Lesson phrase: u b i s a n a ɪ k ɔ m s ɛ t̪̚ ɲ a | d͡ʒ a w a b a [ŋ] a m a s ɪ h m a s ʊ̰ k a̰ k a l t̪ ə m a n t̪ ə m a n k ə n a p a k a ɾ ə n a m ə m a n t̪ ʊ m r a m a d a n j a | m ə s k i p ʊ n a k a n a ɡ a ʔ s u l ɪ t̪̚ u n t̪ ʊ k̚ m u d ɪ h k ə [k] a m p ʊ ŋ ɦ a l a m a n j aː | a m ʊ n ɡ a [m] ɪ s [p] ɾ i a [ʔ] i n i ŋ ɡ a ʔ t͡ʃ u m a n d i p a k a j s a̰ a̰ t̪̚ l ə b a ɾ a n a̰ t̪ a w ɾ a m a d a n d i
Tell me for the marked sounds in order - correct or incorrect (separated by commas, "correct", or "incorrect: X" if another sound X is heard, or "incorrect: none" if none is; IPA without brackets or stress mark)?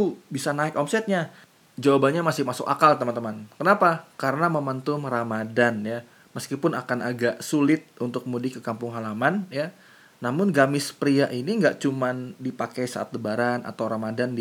incorrect: ɲ, correct, correct, correct, correct